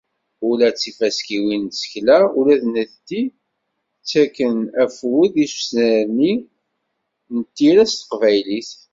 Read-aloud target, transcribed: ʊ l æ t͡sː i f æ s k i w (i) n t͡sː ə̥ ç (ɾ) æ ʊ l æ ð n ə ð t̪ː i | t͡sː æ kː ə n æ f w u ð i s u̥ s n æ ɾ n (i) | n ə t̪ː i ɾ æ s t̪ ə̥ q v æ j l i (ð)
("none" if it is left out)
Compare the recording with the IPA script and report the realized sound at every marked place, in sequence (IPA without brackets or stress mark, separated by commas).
i, l, i, θ